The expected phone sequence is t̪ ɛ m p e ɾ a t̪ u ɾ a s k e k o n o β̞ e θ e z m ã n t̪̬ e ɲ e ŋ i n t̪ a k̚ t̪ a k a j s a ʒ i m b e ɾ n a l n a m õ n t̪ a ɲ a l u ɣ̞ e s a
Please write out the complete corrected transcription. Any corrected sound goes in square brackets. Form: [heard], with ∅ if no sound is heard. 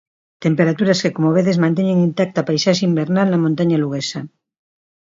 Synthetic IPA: t̪ [e] m p e ɾ a t̪ u ɾ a s k e k o [m] o β̞ e [ð] e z m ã n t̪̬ e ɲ e ŋ i n t̪ a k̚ t̪ a [p] a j s a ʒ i m b e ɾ n a l n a m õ n t̪ a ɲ a l u ɣ̞ e s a

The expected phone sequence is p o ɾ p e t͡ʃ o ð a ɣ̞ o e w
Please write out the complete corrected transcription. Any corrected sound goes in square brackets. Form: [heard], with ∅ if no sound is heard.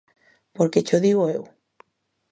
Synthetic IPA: p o ɾ [k] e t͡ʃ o ð [i] ɣ̞ o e w

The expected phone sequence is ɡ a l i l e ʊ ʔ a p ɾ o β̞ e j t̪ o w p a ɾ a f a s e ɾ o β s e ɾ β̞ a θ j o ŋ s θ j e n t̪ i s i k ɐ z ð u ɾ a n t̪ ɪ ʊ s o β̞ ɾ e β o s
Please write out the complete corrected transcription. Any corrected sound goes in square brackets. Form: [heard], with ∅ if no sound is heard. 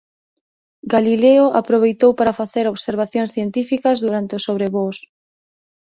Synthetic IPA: ɡ a l i l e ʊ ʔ a p ɾ o β̞ e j t̪ o w p a ɾ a f a [θ] e ɾ o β s e ɾ β̞ a θ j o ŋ s θ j e n t̪ i [f] i k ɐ z ð u ɾ a n t̪ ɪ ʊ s o β̞ ɾ e β o s

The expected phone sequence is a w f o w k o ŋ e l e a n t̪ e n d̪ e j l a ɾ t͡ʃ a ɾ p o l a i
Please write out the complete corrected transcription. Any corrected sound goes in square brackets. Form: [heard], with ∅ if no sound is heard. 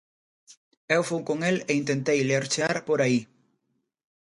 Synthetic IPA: [e] w f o w k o ŋ e l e [i] n t̪ e n [t̪] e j l [e] ɾ t͡ʃ a ɾ p o [ɾ] a i

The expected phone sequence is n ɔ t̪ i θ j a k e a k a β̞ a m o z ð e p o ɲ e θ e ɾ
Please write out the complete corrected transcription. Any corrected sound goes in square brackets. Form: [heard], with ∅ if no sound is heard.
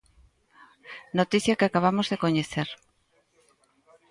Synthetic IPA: n [o] t̪ i θ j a k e a k a β̞ a m o z ð e [k] o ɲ e θ e ɾ

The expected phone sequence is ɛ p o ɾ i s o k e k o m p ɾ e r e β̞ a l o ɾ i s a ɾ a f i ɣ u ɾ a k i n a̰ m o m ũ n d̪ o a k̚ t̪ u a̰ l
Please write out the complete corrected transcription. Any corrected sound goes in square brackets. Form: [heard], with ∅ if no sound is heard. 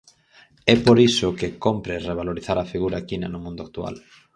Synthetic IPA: ɛ p o ɾ i s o k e k o m p ɾ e r e β̞ a l o ɾ i [θ] a ɾ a f i ɣ u ɾ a k i n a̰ [n] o m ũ n d̪ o a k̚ t̪ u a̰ l

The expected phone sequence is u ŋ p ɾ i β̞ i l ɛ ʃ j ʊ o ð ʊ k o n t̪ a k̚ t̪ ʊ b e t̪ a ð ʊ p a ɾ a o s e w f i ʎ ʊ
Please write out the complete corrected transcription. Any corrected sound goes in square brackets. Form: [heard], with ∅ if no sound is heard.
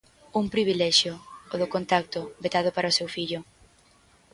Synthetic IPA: u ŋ p ɾ i β̞ i l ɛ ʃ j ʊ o ð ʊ k o n t̪ a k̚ t̪ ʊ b e t̪ a ð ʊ p a ɾ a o s e w f i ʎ ʊ

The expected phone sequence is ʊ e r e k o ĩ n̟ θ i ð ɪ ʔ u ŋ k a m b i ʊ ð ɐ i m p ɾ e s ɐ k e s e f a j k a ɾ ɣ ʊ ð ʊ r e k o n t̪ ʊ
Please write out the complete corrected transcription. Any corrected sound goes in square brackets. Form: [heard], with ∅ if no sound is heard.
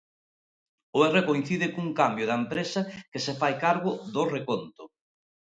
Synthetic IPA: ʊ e r e k o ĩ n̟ θ i ð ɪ [k] u ŋ k a m b [j] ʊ ð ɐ [e] m p ɾ e s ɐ k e s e f a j k a ɾ ɣ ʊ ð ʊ r e k o n t̪ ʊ

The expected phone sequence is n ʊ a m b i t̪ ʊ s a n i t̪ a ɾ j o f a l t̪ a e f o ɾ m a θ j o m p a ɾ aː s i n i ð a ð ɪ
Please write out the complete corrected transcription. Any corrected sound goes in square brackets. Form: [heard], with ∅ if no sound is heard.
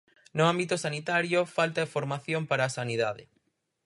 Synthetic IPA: n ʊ a m b i t̪ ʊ s a n i t̪ a ɾ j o f a l t̪ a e f o ɾ m a θ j o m p a ɾ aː s [a] n i ð a ð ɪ

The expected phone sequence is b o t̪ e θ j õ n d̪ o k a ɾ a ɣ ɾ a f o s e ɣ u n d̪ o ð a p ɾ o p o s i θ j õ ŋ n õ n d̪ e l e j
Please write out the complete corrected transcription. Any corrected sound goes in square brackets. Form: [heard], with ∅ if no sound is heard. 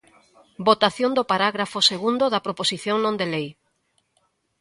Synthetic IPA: b o t̪ [a] θ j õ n d̪ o [p] a ɾ a ɣ ɾ a f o s e ɣ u n d̪ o ð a p ɾ o p o s i θ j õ ŋ n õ n d̪ e l e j

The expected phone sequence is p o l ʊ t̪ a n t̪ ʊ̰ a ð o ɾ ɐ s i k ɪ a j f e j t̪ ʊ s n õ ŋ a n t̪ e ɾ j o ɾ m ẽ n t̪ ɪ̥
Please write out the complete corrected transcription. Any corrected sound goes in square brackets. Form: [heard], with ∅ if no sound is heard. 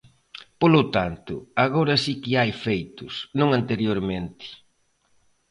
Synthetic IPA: p o l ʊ t̪ a n t̪ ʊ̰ a [ɣ] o ɾ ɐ s i k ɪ a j f e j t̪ ʊ s n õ ŋ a n t̪ e ɾ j o ɾ m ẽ n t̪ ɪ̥

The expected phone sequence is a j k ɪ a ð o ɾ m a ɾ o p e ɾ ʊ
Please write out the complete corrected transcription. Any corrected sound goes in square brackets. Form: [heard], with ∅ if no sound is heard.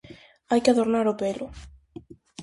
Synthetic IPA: a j k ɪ a ð o ɾ [n] a ɾ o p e [l] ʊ

